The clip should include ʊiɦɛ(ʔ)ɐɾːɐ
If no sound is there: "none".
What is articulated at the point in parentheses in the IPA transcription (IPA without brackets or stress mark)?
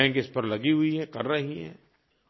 k